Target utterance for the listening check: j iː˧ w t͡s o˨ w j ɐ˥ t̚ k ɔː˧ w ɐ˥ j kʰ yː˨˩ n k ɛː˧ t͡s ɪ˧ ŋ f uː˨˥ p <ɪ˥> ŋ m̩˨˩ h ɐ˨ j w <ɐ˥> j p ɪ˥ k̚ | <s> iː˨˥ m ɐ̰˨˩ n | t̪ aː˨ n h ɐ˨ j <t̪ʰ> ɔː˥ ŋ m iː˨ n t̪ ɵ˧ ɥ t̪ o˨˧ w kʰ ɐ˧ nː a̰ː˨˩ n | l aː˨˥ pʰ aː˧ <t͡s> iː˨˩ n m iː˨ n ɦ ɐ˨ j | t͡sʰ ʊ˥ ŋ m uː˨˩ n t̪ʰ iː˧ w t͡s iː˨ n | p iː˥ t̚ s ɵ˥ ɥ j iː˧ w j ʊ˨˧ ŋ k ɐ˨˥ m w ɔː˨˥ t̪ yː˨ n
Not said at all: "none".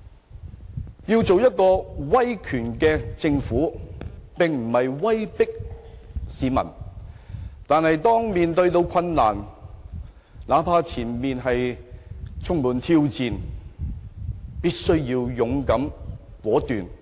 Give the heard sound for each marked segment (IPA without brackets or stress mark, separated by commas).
ɪ˨, ɐ˥, s, t̪, t͡sʰ